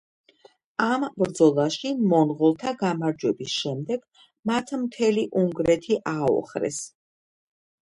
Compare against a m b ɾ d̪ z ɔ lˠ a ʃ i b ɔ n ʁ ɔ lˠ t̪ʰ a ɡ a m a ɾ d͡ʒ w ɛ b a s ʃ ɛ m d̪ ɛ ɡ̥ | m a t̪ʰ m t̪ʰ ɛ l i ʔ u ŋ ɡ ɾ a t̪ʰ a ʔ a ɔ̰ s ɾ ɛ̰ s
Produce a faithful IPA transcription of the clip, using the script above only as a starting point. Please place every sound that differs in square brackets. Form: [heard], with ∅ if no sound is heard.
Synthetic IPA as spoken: a m b ɾ d̪ z ɔ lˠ a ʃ i [m] ɔ n ʁ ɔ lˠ t̪ʰ a ɡ a m a ɾ d͡ʒ w ɛ b [i] s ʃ ɛ m d̪ ɛ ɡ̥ | m a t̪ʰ m t̪ʰ ɛ l i ʔ u ŋ ɡ ɾ [ɛ] t̪ʰ [i] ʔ a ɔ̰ [χ] ɾ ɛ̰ s

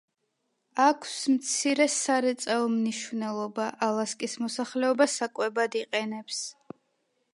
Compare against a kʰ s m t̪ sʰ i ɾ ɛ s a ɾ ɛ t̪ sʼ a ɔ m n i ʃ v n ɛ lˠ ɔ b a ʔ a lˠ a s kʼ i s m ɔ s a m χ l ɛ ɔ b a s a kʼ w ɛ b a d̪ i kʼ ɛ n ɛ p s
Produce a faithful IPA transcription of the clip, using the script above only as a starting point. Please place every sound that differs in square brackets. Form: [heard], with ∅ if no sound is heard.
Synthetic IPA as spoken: a kʰ s m t̪ sʰ i ɾ ɛ s a ɾ ɛ t̪ sʼ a ɔ m n i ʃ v n ɛ lˠ ɔ b a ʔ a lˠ a s kʼ i s m ɔ s a [∅] χ l ɛ ɔ b a s a kʼ w ɛ b a d̪ i [qʼ] ɛ n ɛ p s

